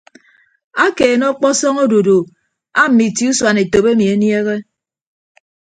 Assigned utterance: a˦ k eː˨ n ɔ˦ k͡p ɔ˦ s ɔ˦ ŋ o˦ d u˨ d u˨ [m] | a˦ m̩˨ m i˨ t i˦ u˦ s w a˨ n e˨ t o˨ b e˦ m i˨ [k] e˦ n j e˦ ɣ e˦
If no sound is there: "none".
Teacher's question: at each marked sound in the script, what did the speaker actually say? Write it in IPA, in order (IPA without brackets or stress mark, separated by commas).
none, none